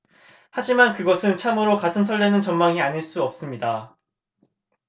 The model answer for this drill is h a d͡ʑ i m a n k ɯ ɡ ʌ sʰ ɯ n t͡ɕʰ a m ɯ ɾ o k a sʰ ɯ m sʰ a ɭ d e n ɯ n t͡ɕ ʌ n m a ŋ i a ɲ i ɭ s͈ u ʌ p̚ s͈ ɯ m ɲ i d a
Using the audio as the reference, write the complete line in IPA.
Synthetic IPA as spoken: h a d͡ʑ i m a n k ɯ ɡ ʌ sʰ ɯ n t͡ɕʰ a m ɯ ɾ o k a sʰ ɯ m sʰ ʌ ɭ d e n ɯ n t͡ɕ ʌ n m a ŋ i a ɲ i ɭ s͈ u ʌ p̚ s͈ ɯ m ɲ i d a